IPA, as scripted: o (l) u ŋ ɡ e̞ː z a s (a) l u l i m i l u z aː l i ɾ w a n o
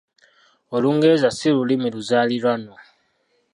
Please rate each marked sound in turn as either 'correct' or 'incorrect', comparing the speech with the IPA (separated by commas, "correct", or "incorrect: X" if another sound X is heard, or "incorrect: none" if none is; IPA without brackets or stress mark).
correct, incorrect: i